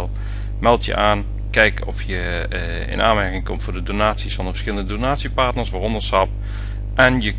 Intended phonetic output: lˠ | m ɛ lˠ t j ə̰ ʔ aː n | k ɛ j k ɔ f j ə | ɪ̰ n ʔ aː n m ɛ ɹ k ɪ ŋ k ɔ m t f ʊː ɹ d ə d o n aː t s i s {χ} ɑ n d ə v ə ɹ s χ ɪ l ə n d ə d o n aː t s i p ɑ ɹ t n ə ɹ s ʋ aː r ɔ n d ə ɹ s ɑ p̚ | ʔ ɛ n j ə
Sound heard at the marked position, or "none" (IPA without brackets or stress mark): f